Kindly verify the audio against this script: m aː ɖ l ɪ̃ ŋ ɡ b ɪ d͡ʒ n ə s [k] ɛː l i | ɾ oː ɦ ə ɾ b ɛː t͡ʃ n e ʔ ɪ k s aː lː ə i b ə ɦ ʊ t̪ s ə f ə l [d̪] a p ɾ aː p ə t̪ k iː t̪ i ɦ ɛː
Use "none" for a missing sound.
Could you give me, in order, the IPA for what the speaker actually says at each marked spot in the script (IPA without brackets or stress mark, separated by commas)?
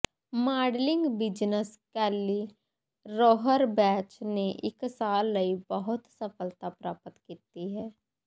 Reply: k, t̪